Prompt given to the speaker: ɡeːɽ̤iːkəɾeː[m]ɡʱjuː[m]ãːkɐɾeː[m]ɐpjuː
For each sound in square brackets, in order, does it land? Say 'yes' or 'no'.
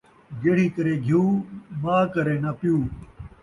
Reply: no, yes, no

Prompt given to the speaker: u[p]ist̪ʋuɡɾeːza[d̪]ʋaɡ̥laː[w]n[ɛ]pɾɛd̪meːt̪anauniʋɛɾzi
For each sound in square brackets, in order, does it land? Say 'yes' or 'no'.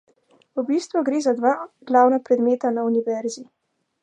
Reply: no, yes, yes, no

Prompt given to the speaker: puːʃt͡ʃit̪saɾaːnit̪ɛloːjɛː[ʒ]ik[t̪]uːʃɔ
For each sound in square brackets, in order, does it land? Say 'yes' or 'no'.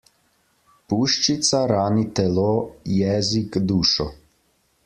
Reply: no, no

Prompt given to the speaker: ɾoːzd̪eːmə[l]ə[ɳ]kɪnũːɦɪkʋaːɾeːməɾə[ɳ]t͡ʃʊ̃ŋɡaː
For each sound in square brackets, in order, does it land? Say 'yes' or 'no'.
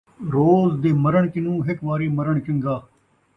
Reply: no, yes, yes

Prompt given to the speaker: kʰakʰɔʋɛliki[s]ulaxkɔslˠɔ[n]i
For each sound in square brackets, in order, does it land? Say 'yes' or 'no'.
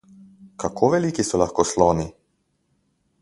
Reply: yes, yes

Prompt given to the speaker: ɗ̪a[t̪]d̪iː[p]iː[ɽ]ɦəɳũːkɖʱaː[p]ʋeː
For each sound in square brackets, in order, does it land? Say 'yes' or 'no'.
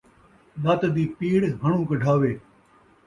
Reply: yes, yes, yes, no

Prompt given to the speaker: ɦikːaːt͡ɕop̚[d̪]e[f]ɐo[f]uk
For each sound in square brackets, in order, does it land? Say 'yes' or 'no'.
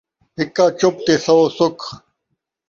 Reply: no, no, no

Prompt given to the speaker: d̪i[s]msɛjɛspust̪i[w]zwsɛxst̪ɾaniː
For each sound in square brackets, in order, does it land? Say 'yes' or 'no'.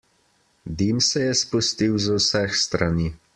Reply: no, yes

